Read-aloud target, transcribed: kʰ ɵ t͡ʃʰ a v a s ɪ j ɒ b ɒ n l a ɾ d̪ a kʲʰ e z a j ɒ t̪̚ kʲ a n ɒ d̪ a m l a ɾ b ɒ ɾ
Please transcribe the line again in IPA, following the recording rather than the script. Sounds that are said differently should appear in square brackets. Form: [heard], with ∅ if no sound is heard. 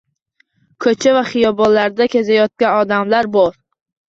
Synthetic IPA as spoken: kʰ ɵ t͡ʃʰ a v a [χ] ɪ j ɒ b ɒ n l a ɾ d̪ a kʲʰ e z a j ɒ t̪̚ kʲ a n ɒ d̪ a m l a ɾ b ɒ ɾ